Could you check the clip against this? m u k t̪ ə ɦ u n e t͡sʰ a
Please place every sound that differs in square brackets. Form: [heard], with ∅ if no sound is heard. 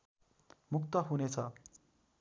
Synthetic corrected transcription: m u k t̪ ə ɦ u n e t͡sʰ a